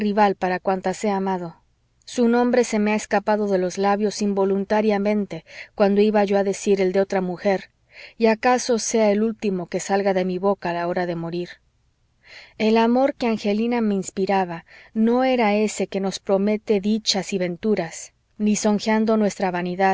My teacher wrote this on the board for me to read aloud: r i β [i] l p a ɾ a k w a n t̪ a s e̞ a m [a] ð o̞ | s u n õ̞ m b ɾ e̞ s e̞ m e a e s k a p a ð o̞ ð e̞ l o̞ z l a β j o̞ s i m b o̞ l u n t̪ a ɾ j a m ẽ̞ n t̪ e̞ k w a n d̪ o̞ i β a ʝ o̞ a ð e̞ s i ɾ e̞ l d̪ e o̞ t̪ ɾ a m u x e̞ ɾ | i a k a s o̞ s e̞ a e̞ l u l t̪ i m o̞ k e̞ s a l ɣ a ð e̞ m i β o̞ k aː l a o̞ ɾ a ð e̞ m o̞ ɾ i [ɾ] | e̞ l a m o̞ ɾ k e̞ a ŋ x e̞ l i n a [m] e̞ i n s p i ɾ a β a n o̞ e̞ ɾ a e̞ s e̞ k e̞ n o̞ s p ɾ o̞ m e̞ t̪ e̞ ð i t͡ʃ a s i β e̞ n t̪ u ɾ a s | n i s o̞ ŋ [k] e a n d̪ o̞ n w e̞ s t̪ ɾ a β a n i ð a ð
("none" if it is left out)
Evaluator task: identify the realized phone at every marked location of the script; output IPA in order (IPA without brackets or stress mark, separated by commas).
a, a, ɾ, m, x